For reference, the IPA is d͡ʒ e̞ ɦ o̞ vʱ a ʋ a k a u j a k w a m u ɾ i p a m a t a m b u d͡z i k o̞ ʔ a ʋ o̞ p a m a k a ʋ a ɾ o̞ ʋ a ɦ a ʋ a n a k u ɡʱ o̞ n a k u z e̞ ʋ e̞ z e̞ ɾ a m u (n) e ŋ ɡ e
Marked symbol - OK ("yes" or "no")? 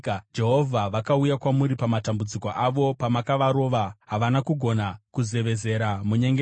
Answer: no